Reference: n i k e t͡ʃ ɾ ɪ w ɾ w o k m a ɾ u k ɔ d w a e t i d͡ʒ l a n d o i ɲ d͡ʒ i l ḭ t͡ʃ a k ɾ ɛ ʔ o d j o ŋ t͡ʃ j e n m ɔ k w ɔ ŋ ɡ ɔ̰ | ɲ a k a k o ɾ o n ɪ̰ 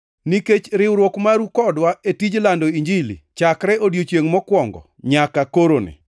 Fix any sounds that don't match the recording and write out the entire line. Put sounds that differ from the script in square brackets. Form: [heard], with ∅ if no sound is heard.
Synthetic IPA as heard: n i k e t͡ʃ ɾ ɪ w ɾ w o k m a ɾ u k ɔ d w a e t i d͡ʒ l a n d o i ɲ d͡ʒ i l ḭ t͡ʃ a k ɾ ɛ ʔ o d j o [∅] t͡ʃ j e [ŋ] m ɔ k w ɔ ŋ ɡ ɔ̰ | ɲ a k a k o ɾ o n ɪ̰

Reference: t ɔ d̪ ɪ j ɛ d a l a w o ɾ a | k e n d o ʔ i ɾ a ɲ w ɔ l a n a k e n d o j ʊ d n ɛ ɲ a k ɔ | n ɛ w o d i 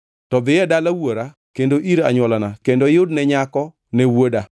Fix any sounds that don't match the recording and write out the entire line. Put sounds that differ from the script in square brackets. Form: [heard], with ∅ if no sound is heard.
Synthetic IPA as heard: t ɔ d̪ ɪ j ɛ d a l a w o ɾ a | k e n d o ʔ i ɾ a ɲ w ɔ l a n a k e n d o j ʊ d n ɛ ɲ a k ɔ | n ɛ w o d [a]

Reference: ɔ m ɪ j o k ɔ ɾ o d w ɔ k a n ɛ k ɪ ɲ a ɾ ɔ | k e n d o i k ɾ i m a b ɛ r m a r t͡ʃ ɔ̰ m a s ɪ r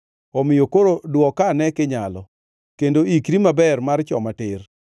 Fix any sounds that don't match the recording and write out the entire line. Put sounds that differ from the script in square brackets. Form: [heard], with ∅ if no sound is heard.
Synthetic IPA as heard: ɔ m ɪ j o k [o] ɾ o d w ɔ k a n ɛ k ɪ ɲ a [l] ɔ | k e n d o i k ɾ i m a b ɛ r m a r t͡ʃ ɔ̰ m a [t] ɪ r

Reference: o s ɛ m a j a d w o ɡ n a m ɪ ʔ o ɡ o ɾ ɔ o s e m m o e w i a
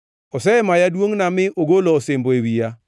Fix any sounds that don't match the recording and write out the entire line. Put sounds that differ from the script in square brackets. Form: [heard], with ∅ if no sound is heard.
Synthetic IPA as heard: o s ɛ m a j a d w o [ŋ] n a m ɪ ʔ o ɡ o [l] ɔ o s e m [b] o e w i a

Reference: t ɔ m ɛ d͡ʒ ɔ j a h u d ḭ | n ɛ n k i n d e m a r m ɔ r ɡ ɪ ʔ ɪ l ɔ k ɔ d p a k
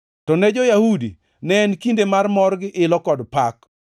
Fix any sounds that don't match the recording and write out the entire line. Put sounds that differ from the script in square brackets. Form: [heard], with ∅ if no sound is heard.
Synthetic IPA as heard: t ɔ [n] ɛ d͡ʒ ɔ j a h u d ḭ | n ɛ n k i n d e m a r m ɔ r ɡ ɪ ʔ ɪ l ɔ k ɔ d p a k

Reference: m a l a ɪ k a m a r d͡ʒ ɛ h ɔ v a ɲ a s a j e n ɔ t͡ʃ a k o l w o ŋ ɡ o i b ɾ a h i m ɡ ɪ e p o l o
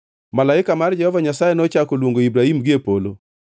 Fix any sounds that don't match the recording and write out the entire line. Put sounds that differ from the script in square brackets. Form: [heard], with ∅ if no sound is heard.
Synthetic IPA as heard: m a l a ɪ k a m a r d͡ʒ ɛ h ɔ v a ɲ a s a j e n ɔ t͡ʃ a k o l w o ŋ ɡ o i b ɾ a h i m ɡ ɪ e p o l o

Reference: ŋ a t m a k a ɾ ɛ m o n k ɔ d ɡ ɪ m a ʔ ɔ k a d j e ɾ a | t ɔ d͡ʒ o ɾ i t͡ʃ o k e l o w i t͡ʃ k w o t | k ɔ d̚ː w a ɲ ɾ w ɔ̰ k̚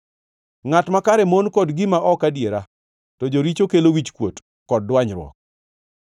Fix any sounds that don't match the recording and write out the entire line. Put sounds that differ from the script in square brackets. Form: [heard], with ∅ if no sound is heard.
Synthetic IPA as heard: ŋ a t m a k a ɾ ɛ m o n k ɔ d ɡ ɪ m a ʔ ɔ k a d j e ɾ a | t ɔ d͡ʒ o ɾ i t͡ʃ o k e l o w i t͡ʃ k w o t | k ɔ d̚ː w a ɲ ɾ w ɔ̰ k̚

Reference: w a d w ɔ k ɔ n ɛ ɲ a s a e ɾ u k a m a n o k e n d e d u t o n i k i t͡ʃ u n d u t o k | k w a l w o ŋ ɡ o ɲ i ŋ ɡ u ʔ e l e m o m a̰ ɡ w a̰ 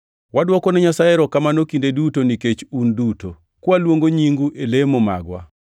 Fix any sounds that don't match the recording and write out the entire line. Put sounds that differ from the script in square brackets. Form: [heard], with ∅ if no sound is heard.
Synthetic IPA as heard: w a d w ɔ k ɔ n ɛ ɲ a s a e ɾ [ɔ] k a m a n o k [i] n d e d u t o n i k [e] t͡ʃ u n d u t o [∅] | k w a l w o ŋ ɡ o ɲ i ŋ ɡ u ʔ e l e m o m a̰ ɡ w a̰

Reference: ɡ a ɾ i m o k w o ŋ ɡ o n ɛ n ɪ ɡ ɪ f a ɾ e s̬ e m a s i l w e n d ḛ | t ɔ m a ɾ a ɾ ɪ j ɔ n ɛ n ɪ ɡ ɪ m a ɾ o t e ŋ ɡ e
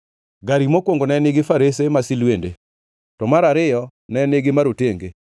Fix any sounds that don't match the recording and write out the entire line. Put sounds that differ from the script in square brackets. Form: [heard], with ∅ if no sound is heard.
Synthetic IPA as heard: ɡ a ɾ i m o k w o ŋ ɡ o n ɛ n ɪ ɡ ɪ f a ɾ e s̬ e m a s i l w e n d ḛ | t ɔ m a ɾ a ɾ ɪ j ɔ n ɛ n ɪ ɡ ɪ m a ɾ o t e ŋ ɡ e

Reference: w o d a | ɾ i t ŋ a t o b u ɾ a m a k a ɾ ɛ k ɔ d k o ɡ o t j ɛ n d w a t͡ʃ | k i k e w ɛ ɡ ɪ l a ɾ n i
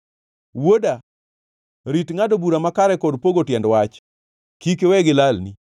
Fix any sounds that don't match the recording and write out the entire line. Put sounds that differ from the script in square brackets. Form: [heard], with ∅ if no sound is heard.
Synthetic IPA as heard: w o d a | ɾ i t ŋ a [d] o b u ɾ a m a k a ɾ ɛ k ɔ d [p] o ɡ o t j ɛ n d w a t͡ʃ | k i k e w ɛ ɡ ɪ l a [l] n i

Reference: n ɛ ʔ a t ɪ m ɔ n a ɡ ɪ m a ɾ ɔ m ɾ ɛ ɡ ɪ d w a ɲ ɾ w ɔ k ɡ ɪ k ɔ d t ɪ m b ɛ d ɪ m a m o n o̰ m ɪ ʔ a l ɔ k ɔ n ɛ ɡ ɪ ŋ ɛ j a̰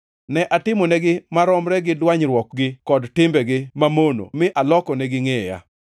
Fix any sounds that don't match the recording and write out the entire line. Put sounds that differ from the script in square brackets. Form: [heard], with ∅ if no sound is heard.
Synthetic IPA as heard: n ɛ ʔ a t ɪ m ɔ n [ɛ] ɡ ɪ m a ɾ ɔ m ɾ ɛ ɡ ɪ d w a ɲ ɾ w ɔ k ɡ ɪ k ɔ d t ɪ m b ɛ [ɡ] ɪ m a m o n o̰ m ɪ ʔ a l ɔ k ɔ n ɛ ɡ ɪ ŋ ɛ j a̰

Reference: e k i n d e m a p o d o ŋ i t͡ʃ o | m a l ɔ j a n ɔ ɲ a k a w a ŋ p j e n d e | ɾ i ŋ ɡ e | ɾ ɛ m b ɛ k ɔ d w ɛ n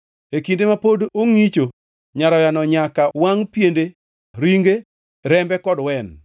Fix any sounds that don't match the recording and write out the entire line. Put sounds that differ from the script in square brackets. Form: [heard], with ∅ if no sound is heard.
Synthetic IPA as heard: e k i n d e m a p o d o ŋ i t͡ʃ o | [ɲ] a [ɾ] ɔ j a n ɔ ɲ a k a w a ŋ p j e n d e | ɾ i ŋ ɡ e | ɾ ɛ m b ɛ k ɔ d w ɛ n

